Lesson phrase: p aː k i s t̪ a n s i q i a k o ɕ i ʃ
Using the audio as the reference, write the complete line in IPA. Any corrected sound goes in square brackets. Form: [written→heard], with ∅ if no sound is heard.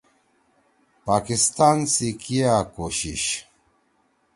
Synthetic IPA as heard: p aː k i s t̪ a n s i [q→k] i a k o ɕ i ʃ